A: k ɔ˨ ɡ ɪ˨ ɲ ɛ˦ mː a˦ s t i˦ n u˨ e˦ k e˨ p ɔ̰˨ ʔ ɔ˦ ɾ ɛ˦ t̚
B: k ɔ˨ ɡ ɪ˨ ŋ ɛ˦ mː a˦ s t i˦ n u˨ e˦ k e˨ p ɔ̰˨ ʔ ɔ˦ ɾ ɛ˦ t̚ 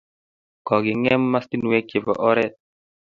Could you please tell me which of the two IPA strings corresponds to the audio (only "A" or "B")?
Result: B